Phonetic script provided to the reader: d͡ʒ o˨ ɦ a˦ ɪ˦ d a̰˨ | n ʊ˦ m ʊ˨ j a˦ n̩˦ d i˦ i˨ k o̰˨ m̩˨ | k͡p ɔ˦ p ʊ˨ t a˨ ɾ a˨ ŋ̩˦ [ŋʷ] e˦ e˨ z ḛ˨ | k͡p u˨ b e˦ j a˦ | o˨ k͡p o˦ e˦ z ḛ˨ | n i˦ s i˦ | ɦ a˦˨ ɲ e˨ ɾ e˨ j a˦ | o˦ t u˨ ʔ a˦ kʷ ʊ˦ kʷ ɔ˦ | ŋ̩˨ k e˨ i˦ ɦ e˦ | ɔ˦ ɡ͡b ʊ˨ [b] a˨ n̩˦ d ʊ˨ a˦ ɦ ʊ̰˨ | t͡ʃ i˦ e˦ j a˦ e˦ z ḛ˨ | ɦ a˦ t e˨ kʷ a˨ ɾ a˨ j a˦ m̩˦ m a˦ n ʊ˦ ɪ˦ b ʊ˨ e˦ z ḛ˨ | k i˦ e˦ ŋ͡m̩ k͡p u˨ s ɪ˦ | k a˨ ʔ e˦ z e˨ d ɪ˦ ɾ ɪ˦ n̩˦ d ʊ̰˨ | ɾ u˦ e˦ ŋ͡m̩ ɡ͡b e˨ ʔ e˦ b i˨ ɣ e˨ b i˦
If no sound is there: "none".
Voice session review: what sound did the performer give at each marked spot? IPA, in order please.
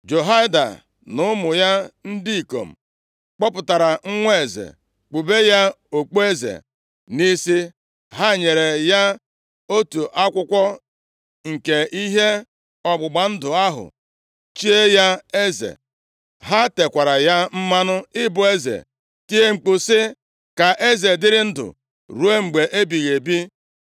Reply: ŋʷ, ɡ͡b

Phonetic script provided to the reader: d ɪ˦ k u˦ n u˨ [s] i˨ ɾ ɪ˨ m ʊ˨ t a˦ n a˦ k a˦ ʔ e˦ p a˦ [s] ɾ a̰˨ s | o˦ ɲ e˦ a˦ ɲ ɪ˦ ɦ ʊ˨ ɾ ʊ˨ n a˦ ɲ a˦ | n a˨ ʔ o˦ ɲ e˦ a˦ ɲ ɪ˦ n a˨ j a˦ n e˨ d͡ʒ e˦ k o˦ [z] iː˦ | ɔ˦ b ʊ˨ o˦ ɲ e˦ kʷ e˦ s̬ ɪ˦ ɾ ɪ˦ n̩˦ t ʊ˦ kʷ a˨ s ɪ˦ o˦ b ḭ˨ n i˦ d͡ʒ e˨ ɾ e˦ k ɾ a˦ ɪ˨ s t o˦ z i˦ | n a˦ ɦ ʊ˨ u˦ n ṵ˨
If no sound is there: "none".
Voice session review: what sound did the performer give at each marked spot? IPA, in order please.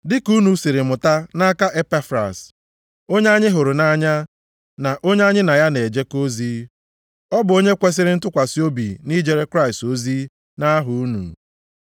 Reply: s, f, z

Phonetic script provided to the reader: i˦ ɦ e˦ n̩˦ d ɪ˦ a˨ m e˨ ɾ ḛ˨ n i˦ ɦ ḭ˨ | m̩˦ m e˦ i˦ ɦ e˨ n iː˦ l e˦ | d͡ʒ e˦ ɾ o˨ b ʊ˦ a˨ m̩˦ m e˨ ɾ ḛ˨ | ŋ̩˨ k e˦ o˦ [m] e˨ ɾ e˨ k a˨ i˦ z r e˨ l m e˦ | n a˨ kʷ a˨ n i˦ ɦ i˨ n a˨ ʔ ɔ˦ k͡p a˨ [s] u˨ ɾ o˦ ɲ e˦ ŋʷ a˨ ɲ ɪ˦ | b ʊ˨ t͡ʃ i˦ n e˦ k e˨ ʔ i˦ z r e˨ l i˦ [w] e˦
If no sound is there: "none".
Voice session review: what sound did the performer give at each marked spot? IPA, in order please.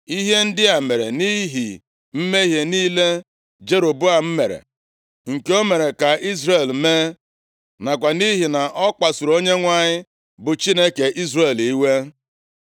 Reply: m, s, w

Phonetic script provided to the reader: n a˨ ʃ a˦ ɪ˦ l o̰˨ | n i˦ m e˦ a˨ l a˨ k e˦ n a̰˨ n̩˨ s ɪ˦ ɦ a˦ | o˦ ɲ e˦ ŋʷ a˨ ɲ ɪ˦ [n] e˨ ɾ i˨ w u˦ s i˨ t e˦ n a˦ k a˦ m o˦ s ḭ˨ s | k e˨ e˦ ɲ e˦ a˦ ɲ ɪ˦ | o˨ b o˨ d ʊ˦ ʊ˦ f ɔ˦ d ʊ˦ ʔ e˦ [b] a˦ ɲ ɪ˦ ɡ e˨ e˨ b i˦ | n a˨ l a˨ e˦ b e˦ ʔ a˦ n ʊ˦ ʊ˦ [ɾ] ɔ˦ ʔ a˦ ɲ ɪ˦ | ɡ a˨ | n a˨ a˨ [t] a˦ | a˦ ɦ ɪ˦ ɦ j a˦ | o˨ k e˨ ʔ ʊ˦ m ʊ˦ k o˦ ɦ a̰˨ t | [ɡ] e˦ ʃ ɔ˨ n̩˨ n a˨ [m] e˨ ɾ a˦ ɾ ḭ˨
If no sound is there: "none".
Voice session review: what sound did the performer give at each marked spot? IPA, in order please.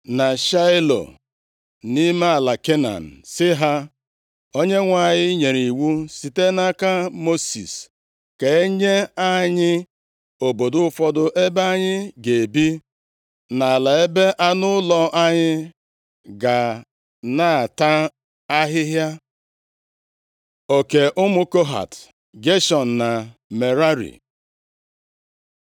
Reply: ɲ, b, l, t, ɡ, m

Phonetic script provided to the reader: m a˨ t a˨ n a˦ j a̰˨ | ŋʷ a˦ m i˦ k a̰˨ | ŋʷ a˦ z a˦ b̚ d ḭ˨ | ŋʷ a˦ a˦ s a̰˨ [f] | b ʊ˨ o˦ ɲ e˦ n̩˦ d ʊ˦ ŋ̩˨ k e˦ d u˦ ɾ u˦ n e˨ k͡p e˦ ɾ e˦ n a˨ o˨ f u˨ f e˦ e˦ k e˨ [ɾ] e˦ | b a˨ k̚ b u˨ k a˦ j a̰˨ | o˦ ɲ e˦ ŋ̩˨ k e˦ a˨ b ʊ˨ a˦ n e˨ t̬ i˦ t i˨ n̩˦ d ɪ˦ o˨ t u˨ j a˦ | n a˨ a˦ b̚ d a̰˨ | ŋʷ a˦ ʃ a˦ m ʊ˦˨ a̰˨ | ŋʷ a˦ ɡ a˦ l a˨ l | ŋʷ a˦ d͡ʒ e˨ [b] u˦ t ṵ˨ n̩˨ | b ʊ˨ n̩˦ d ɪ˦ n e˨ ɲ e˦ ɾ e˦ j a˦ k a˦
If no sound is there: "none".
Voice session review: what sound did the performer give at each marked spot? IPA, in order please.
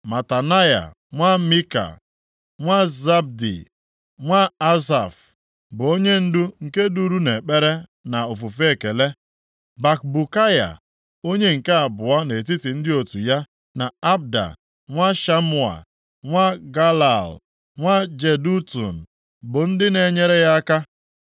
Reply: f, l, d

